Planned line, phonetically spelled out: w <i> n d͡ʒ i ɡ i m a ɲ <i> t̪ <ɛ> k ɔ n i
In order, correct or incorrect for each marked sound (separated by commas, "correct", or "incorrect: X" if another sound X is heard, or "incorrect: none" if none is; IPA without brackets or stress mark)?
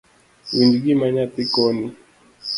correct, incorrect: a, incorrect: i